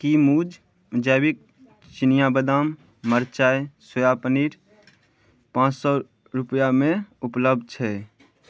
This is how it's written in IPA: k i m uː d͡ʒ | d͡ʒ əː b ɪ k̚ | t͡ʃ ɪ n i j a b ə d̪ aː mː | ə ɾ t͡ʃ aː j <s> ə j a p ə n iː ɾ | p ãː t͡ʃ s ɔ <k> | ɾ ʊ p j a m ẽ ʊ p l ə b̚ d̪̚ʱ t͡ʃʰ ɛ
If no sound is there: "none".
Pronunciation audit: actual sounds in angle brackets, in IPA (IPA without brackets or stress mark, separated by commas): s, none